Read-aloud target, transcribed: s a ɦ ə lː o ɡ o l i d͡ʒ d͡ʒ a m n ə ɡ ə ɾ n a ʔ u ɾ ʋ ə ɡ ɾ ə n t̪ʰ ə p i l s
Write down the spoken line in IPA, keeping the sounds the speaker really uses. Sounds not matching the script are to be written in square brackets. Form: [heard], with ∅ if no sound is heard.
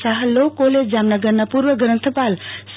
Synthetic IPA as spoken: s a ɦ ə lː o [k] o l [e] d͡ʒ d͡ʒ a m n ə ɡ ə ɾ n a [p] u ɾ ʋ ə ɡ ɾ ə n t̪ʰ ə p [a] l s